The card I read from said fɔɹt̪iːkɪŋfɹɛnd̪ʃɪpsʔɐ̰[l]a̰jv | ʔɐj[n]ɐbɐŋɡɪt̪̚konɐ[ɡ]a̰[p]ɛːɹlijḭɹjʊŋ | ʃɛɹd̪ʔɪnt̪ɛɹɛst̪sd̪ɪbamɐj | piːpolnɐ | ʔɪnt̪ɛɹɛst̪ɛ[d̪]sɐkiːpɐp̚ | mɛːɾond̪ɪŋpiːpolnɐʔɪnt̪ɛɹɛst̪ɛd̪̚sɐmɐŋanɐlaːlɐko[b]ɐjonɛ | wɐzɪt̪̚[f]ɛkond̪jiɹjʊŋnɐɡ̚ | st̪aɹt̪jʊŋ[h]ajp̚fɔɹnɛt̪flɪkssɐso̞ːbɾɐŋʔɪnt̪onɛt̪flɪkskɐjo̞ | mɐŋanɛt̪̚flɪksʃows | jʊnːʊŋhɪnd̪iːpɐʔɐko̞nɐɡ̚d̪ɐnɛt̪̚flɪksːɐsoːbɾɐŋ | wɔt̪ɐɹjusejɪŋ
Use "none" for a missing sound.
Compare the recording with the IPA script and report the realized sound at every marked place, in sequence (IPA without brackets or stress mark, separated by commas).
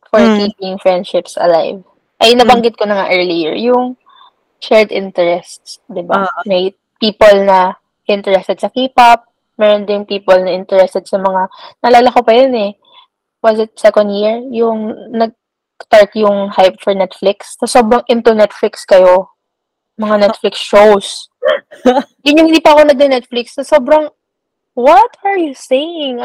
l, n, ŋ, ʔ, d̪, p, s, h